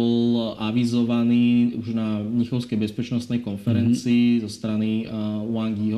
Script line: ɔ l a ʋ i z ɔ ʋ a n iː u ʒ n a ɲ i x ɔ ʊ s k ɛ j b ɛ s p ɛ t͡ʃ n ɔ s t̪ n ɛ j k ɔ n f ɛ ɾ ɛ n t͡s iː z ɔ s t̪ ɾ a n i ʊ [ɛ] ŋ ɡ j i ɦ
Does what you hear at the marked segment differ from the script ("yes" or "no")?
yes